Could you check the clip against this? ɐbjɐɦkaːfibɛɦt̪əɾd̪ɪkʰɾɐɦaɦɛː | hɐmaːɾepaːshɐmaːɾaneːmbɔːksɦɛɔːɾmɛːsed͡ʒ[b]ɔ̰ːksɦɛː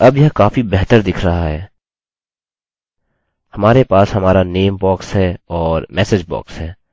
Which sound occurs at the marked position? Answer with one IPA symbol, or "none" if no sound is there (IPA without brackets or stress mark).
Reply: b